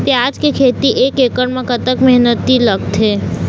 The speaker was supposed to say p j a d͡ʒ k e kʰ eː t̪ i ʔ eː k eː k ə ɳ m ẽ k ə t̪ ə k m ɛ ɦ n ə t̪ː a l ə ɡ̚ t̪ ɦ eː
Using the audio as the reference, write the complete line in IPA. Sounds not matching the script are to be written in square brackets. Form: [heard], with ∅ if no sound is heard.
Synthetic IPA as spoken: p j a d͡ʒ k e kʰ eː t̪ i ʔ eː k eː k ə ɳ m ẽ k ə t̪ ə k m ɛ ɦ n ə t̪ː [i] l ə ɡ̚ t̪ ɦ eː